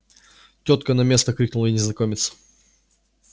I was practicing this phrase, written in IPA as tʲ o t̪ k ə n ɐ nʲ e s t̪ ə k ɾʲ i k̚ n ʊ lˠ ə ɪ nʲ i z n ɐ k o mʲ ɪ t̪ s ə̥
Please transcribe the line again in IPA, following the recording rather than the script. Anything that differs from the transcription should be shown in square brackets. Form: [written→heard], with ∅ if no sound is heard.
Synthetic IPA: tʲ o t̪ k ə n ɐ [nʲ→mʲ] e s t̪ ə k ɾʲ i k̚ n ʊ lˠ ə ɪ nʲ [i→ɪ] z n ɐ k o mʲ ɪ t̪ s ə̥